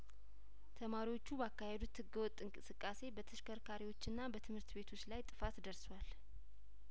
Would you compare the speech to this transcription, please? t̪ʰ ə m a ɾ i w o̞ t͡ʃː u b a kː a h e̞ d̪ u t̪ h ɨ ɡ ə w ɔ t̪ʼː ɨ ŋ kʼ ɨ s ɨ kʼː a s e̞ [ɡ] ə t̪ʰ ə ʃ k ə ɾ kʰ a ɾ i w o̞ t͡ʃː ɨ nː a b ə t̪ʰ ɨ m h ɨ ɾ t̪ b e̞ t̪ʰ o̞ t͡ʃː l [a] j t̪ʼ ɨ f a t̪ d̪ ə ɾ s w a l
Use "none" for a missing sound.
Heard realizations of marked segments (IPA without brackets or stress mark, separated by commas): b, a